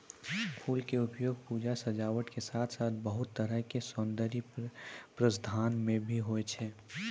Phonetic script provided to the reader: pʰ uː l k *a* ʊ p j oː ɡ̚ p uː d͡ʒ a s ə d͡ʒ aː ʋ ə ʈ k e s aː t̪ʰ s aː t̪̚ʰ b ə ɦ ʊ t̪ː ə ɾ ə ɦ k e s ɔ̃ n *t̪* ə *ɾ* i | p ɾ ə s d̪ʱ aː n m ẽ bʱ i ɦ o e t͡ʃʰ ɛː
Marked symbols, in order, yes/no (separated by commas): no, no, yes